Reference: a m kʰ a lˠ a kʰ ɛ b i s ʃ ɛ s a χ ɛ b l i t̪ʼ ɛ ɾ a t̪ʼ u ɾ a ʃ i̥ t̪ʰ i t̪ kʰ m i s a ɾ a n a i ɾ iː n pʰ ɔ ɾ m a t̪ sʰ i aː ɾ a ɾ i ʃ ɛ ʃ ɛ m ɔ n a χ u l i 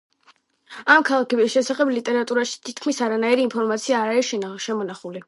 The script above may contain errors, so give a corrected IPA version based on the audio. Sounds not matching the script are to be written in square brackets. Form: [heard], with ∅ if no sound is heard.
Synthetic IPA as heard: a m kʰ a lˠ a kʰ ɛ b i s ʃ ɛ s a χ ɛ b l i t̪ʼ ɛ ɾ a t̪ʼ u ɾ a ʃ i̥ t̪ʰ i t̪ kʰ m i s a ɾ a n a i ɾ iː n pʰ ɔ ɾ m a t̪ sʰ i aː ɾ a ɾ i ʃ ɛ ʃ ɛ m ɔ n a χ u l i